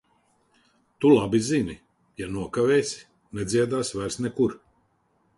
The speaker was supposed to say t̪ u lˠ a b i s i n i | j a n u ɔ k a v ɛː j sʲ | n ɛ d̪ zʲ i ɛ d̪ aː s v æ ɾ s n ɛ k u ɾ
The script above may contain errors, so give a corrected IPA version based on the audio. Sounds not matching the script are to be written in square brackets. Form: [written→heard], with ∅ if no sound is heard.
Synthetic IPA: t̪ u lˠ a b i [s→z] i n i | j a n u ɔ k a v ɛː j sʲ | n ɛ d̪ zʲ i ɛ d̪ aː s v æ ɾ s n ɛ k u ɾ